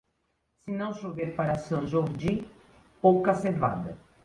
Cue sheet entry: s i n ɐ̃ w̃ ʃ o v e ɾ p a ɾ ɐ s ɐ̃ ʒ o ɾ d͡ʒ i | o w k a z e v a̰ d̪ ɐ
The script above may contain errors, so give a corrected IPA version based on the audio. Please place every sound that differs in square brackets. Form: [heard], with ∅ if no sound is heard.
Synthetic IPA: s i n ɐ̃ w̃ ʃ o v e ɾ p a ɾ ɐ s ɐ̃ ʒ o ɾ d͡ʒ i | o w k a [s] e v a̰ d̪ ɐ